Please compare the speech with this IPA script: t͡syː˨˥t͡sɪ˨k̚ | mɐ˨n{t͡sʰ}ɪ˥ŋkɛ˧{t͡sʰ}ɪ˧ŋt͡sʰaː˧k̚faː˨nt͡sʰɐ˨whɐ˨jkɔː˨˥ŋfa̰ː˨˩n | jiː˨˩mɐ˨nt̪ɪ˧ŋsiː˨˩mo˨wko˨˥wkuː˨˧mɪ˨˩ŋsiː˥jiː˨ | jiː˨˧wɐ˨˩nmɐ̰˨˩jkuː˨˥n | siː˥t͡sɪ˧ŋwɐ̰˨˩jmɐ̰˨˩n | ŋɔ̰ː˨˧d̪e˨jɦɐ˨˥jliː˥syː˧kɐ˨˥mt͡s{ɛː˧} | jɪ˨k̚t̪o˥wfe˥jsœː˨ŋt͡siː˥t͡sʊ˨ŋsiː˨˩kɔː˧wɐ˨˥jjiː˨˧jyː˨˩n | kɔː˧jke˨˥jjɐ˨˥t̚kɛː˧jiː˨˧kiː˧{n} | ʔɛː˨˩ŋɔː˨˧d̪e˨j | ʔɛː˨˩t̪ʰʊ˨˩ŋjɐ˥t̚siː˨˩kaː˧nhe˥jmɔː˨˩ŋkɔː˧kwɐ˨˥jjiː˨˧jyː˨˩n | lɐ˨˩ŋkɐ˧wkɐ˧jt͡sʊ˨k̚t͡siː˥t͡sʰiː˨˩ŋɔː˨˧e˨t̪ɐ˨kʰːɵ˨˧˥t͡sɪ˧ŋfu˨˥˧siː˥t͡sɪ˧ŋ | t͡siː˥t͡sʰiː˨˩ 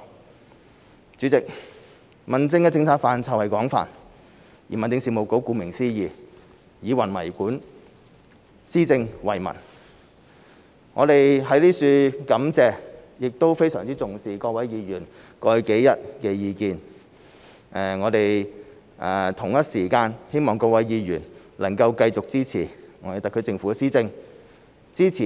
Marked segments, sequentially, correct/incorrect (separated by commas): incorrect, incorrect, correct, correct